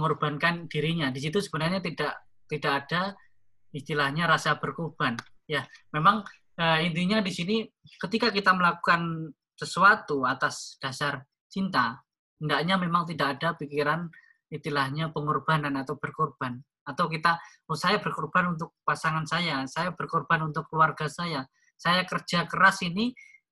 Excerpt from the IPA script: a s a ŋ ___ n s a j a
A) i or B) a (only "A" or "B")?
B